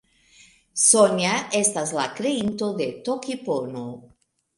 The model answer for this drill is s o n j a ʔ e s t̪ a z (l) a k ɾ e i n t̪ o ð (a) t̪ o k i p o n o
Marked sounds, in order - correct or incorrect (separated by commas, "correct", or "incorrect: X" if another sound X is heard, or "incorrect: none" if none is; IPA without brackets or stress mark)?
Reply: correct, incorrect: e